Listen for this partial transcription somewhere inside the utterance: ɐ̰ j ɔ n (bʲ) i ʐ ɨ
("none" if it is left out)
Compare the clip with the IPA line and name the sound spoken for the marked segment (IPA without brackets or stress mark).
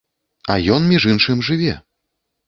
mʲ